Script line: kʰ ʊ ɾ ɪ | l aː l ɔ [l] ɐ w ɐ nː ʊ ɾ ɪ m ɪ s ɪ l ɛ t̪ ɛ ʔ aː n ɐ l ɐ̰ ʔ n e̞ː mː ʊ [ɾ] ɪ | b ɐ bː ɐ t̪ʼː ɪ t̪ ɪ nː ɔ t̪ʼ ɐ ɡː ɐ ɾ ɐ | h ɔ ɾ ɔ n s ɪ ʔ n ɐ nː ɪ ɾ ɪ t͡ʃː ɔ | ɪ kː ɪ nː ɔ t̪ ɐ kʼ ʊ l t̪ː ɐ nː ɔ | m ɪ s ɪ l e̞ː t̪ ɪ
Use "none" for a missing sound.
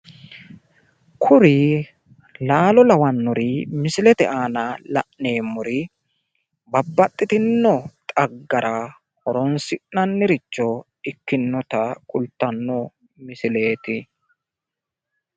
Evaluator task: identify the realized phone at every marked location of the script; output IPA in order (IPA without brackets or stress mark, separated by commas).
l, ɾ